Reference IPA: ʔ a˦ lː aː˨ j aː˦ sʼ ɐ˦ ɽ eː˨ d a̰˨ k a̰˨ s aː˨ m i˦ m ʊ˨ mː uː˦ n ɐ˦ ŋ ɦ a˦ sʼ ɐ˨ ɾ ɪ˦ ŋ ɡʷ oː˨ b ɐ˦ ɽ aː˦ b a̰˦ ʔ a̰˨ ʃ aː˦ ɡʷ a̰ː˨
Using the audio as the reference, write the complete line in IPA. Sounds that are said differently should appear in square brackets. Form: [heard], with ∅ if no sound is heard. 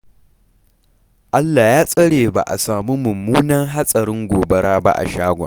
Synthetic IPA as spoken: ʔ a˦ lː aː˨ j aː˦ sʼ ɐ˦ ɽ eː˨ [b] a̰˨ [ʔ] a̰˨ s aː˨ m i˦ m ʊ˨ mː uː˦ n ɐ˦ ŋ ɦ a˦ sʼ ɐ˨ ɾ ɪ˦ ŋ ɡʷ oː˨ b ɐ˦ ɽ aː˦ b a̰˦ ʔ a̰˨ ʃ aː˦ ɡʷ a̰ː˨